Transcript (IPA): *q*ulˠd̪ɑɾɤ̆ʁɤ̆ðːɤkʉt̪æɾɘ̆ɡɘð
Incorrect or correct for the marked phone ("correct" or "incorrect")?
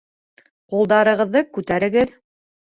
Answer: correct